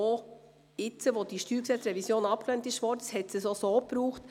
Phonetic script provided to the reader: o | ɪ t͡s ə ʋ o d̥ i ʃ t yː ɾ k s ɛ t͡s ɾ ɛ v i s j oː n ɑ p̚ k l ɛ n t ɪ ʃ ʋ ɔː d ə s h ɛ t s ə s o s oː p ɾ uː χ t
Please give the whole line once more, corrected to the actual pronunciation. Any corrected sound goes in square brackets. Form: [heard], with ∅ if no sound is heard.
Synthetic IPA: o | ɪ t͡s ə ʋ o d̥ i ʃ t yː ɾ k s ɛ t͡s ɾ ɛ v i s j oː n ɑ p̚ k l ɛ n t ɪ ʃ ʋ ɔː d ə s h ɛ t s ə s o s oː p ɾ uː χ t